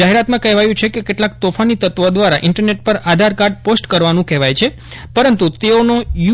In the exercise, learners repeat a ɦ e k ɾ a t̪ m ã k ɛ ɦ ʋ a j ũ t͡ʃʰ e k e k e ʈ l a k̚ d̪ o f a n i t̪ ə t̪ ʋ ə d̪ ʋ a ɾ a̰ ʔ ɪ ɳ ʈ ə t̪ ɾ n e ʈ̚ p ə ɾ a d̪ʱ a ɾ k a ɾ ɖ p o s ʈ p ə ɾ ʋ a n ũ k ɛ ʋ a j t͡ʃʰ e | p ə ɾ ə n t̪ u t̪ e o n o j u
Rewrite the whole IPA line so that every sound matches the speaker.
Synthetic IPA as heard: a ɦ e ɾ a t̪ m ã k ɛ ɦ ʋ a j ũ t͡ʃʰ e k e k e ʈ l a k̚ t̪ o f a n i t̪ ə t̪ ʋ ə d̪ ʋ a ɾ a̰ ʔ ɪ ɳ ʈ ə ɾ n e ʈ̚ p ə ɾ a d̪ʱ a ɾ k a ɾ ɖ p o s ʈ k ə ɾ ʋ a n ũ k ɛ ʋ a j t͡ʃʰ e | p ə ɾ ə n t̪ u t̪ e o n o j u

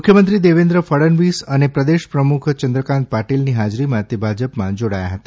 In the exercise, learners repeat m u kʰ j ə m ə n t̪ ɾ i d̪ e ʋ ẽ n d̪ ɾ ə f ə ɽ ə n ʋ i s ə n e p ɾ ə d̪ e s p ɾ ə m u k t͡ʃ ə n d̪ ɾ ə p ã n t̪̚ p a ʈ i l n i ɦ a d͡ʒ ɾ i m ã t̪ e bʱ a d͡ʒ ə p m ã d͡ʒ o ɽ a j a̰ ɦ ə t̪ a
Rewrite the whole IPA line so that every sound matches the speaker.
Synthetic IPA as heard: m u kʰ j ə m ə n t̪ ɾ i d̪ e ʋ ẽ n d̪ ɾ ə f ə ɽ ə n ʋ i s ə n e p ɾ ə d̪ e ʃ p ɾ ə m u kʰ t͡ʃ ə n d̪ ɾ ə k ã n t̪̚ p a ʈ i l n i ɦ a d͡ʒ ɾ i m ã t̪ e bʱ a d͡ʒ ə p m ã d͡ʒ o ɽ a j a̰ ɦ ə t̪ a

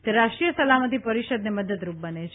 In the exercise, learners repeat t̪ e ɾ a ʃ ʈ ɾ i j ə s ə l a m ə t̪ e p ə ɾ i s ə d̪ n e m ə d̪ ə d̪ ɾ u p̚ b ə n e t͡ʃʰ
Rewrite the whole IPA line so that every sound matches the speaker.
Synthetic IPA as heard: t̪ e ɾ a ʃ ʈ ɾ i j ə s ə l a m ə t̪ i p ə ɾ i ʃ ə d̪ n e m ə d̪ ə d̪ ɾ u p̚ b ə n e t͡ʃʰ

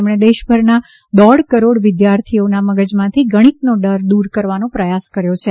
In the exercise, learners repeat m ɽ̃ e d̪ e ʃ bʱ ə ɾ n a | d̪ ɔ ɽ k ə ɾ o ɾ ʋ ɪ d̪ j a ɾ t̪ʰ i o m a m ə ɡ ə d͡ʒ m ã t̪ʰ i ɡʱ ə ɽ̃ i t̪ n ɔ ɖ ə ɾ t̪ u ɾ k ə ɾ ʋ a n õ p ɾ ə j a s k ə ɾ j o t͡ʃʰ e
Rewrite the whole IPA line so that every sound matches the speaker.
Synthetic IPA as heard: m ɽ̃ e d̪ e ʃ bʱ ə ɾ n a | d̪ ɔ ɽ k ə ɾ o ɽ ʋ ɪ d̪ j a ɾ t̪ʰ i o n a m ə ɡ ə d͡ʒ m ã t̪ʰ i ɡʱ ə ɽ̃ i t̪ n o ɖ ə ɾ d̪ u ɾ k ə ɾ ʋ a n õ p ɾ ə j a s k ə ɾ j o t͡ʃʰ e

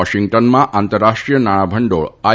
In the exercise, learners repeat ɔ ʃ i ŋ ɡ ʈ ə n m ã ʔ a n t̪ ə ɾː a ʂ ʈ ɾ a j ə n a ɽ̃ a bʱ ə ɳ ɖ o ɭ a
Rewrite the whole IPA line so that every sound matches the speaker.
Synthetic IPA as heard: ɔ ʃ i ŋ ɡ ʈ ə n m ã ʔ a n t̪ ə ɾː a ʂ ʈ ɾ i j ə n a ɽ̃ a bʱ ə ɳ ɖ o ɭ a

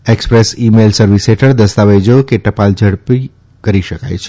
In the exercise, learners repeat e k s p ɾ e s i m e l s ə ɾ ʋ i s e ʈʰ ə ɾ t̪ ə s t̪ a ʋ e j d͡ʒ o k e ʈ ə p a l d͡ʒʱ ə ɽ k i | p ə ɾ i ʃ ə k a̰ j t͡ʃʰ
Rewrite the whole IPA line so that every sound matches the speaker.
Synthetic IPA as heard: e k s p ɾ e s i m e l s ə ɾ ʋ i s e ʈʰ ə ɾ d̪ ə s t̪ a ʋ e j d͡ʒ o k e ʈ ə p a l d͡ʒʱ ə ɽ p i | k ə ɾ i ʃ ə k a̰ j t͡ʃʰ

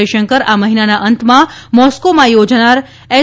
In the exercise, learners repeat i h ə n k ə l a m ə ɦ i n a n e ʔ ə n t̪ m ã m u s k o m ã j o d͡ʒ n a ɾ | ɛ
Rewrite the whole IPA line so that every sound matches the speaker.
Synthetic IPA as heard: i ʃ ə ŋ k ə ɾ a m ə ɦ i n a n a ʔ ə n t̪ m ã m ɔ s k o m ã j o d͡ʒ n a ɾ | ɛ

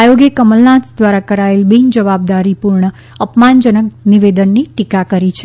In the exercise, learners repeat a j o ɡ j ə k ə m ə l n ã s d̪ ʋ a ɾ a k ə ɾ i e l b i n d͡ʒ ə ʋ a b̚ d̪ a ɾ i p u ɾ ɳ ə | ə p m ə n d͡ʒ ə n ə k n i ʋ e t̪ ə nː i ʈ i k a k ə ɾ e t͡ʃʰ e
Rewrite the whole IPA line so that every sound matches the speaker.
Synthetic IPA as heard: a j o ɡ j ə k ə m ə l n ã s d̪ ʋ a ɾ a k ə ɾ a e l b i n d͡ʒ ə ʋ a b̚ d̪ a ɾ i p u ɾ ɳ ə | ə p m a n d͡ʒ ə n ə k n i ʋ e d̪ ə nː i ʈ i k a k ə ɾ i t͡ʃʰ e

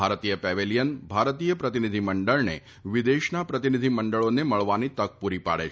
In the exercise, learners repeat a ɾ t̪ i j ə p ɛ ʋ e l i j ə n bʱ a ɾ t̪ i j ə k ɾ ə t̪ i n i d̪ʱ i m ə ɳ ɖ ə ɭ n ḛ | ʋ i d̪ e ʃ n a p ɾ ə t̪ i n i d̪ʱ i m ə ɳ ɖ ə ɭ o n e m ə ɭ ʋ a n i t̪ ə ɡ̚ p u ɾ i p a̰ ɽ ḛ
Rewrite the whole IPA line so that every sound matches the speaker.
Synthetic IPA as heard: a ɾ t̪ i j ə p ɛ ʋ e l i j ə n bʱ a ɾ t̪ i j ə p ɾ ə t̪ i n i d̪ʱ i m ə ɳ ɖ ə ɭ n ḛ | ʋ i d̪ e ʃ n a p ɾ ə t̪ i n i d̪ʱ i m ə ɳ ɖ ə ɭ o n e m ə ɭ ʋ a n i t̪ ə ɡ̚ p u ɾ i p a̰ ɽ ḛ

